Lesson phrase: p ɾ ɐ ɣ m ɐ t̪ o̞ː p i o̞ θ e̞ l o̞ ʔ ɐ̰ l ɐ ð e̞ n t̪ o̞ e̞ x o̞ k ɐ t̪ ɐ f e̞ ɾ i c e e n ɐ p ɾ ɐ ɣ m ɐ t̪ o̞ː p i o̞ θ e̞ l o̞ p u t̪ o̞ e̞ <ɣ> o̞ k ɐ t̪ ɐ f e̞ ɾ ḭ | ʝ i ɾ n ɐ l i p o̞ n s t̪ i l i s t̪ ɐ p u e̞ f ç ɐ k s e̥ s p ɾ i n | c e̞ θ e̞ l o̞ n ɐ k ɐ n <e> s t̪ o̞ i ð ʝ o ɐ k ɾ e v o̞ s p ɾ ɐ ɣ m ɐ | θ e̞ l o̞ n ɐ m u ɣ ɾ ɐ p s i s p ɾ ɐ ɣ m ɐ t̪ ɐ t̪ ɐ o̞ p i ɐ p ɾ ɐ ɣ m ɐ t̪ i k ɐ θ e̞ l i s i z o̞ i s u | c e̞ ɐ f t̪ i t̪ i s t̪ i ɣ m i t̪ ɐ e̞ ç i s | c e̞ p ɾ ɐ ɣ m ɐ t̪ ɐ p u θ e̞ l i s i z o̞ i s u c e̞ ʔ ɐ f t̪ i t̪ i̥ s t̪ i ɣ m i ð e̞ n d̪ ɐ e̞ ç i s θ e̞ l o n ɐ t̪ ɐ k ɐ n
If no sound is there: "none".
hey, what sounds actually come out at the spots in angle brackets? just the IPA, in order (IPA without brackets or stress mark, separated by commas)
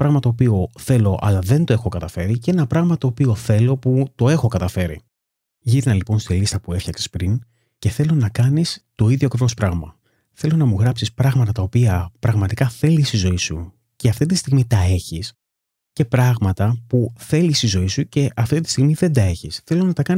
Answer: x, i